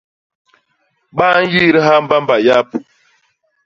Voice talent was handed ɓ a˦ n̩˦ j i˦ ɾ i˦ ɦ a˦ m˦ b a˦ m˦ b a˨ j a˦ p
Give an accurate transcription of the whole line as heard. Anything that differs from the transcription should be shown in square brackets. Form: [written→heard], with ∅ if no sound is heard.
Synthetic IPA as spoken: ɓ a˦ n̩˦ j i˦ ɾ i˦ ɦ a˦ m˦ b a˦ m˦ b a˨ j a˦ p